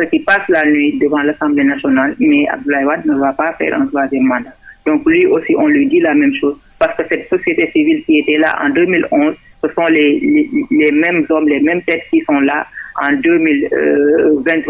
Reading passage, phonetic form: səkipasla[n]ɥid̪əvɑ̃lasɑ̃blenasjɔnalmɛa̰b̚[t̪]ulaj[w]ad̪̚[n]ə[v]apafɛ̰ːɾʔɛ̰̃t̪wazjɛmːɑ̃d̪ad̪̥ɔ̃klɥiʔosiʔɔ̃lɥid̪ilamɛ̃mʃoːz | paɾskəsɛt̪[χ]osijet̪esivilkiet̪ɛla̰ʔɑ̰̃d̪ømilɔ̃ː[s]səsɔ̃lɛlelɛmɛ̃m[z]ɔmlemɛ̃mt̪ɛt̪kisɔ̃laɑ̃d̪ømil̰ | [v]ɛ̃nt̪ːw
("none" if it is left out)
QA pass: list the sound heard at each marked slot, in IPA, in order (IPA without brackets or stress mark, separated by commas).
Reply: n, d̪, w, n, v, s, z, z, v